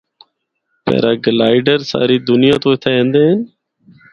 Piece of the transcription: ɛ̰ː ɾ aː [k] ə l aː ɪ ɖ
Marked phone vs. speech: incorrect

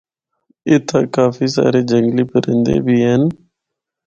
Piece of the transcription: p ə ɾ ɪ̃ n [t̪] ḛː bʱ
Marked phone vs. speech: incorrect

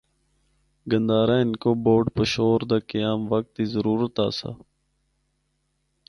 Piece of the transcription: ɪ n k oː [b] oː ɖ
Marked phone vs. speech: correct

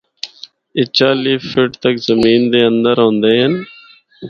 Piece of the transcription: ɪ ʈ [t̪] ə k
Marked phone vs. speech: correct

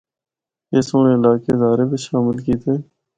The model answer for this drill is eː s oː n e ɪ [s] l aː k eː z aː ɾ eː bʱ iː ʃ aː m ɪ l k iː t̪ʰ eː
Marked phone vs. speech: incorrect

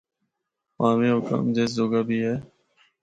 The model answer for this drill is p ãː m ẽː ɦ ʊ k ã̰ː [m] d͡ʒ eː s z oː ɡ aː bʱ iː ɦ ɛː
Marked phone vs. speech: correct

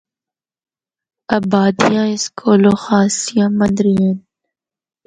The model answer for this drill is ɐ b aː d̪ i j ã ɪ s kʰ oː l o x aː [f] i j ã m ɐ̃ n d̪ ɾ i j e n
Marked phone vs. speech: incorrect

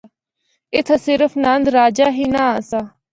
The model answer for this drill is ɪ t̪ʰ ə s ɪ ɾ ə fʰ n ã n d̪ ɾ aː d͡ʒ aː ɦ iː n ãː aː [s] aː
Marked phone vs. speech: correct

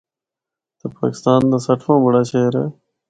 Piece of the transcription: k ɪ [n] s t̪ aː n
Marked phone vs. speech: incorrect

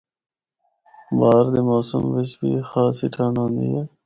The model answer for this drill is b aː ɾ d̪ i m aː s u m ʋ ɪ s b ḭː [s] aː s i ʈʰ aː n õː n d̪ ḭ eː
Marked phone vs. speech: incorrect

